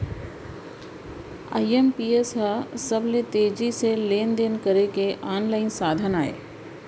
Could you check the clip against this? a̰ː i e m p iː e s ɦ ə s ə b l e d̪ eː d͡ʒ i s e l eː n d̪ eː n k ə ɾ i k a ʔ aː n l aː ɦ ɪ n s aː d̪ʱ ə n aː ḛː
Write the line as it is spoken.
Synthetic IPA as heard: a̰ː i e m p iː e s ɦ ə s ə b l e t̪ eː d͡ʒ i s e l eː n d̪ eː n k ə ɾ e k e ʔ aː n l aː ɪ n s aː d̪ʱ ə n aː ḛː